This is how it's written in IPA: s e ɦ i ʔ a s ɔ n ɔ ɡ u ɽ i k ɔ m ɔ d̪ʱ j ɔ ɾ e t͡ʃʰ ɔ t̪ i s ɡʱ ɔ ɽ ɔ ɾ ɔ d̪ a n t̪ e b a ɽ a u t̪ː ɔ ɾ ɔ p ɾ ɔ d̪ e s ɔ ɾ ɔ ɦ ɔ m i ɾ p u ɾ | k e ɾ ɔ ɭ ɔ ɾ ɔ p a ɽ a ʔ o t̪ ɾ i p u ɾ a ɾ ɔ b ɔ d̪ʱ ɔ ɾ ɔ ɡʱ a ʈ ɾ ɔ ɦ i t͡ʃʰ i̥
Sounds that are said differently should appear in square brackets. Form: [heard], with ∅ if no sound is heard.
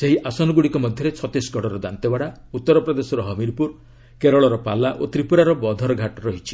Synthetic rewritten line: s e ɦ i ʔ a s ɔ n ɔ ɡ u ɽ i k ɔ m ɔ d̪ʱ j ɔ ɾ e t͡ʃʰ ɔ t̪ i s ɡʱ ɔ ɽ ɔ ɾ ɔ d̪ a n t̪ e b a ɽ a u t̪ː ɔ ɾ ɔ p ɾ ɔ d̪ e s ɔ ɾ ɔ ɦ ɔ m i ɾ p u ɾ | k e ɾ ɔ ɭ ɔ ɾ ɔ p a [l] a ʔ o t̪ ɾ i p u ɾ a ɾ ɔ b ɔ d̪ʱ ɔ ɾ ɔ ɡʱ a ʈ ɾ ɔ ɦ i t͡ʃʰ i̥

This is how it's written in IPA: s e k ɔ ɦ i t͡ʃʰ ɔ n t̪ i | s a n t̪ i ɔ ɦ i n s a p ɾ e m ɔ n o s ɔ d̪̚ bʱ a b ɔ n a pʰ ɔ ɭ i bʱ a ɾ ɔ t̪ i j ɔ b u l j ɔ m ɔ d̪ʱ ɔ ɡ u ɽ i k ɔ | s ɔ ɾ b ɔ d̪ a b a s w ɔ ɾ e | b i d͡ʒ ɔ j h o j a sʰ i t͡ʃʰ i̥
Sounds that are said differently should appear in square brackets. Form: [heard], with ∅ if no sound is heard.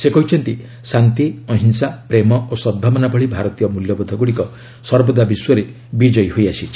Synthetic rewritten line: s e k ɔ ɦ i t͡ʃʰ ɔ n t̪ i | s a n t̪ i ɔ ɦ i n s a p ɾ e m ɔ [∅] o s ɔ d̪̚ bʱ a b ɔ n a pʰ ɔ ɭ i bʱ a ɾ ɔ t̪ i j ɔ [m] u l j ɔ [b] ɔ d̪ʱ ɔ ɡ u ɽ i k ɔ | s ɔ ɾ b ɔ d̪ a b [i] s w ɔ ɾ e | b i d͡ʒ ɔ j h o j a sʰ i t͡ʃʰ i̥

